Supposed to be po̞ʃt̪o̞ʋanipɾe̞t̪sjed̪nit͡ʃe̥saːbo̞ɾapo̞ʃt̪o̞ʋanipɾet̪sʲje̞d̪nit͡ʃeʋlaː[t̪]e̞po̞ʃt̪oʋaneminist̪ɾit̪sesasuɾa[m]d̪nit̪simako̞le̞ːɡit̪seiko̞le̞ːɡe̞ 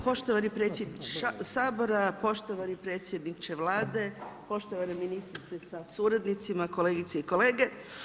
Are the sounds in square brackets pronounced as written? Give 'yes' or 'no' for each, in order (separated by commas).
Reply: no, no